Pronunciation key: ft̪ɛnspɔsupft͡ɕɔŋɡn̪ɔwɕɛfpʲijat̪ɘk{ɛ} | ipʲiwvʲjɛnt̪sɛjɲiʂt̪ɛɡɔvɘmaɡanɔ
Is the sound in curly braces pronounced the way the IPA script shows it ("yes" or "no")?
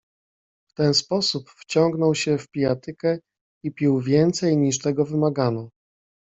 yes